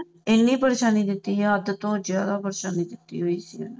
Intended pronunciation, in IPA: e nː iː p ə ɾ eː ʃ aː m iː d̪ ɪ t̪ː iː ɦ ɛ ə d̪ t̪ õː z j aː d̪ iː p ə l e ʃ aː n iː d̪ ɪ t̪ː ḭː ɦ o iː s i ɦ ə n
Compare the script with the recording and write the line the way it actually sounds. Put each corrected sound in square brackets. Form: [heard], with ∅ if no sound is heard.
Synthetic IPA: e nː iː p ə ɾ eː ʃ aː [n] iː d̪ ɪ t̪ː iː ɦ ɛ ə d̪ t̪ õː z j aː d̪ [aː] p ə [ɾ] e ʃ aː n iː d̪ ɪ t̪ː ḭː ɦ o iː s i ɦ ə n